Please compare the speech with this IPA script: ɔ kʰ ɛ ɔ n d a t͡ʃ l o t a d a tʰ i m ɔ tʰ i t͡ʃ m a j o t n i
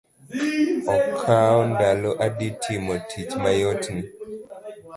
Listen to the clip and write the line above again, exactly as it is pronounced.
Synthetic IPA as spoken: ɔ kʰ a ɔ n d a l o ʔ a d i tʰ i m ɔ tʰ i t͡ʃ m a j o t n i